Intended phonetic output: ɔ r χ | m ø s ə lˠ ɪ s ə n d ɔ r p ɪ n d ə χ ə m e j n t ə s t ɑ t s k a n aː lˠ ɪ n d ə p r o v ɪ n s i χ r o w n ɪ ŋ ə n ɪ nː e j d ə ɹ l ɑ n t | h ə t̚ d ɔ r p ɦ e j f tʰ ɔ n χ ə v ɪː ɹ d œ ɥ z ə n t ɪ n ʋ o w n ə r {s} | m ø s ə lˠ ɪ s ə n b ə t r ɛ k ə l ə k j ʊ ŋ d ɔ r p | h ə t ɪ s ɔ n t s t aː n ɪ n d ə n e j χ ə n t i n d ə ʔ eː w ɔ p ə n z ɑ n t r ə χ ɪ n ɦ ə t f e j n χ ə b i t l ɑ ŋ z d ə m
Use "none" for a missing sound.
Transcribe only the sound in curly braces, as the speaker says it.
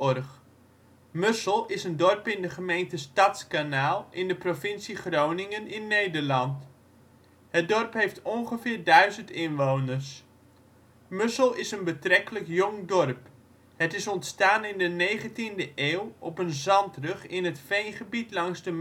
s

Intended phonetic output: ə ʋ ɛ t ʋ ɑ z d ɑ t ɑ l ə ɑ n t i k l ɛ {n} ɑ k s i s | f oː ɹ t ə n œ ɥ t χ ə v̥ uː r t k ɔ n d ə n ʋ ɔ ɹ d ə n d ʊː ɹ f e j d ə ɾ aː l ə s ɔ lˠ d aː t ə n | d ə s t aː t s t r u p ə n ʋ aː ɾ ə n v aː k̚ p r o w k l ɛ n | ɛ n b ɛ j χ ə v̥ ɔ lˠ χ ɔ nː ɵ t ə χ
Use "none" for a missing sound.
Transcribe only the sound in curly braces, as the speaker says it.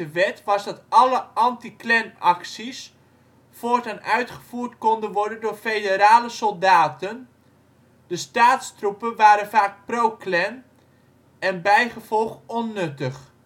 n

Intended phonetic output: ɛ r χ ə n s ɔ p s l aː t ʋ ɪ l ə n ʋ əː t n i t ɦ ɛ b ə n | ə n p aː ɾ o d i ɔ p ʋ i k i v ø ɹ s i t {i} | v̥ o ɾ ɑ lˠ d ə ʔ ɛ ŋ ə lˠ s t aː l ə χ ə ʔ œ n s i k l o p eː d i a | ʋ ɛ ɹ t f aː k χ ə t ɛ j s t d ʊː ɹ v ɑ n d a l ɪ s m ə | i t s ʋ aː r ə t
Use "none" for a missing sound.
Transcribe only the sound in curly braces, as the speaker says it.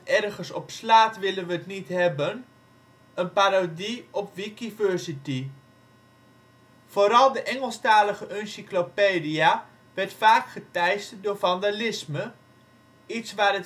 i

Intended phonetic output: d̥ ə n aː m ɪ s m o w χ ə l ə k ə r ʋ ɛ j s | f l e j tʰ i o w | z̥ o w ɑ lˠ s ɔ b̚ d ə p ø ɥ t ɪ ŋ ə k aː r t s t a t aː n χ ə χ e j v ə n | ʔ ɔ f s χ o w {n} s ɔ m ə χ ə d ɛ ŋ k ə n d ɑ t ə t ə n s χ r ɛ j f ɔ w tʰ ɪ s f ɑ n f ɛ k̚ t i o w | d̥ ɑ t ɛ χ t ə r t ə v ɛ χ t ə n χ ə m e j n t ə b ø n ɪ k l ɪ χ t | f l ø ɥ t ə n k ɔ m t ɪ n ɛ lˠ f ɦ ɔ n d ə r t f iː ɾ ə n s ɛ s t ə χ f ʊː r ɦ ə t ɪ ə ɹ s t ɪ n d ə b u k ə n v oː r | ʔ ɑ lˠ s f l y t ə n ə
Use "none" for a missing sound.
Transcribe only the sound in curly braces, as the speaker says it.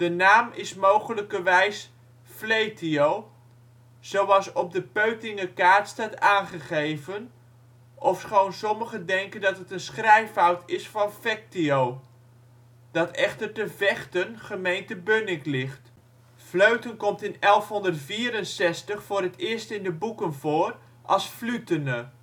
n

